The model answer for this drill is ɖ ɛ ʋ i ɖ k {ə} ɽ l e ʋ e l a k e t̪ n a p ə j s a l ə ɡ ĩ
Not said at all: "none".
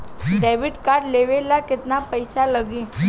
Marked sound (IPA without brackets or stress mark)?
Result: a